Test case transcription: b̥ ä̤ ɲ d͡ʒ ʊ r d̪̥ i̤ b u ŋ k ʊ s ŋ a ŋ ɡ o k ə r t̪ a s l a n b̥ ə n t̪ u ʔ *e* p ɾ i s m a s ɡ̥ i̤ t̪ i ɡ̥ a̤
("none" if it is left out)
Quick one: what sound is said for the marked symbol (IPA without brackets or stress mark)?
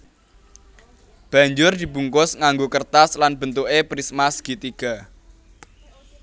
e